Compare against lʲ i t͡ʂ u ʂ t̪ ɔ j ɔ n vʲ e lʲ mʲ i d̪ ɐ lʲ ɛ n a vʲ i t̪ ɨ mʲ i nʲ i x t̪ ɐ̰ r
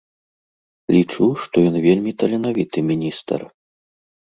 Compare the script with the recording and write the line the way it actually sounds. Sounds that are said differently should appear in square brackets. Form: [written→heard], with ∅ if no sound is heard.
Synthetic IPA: lʲ i t͡ʂ u ʂ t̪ ɔ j ɔ n vʲ e lʲ mʲ i [d̪→t̪] ɐ lʲ ɛ n a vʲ i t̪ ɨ mʲ i nʲ i [x→s] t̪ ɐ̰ r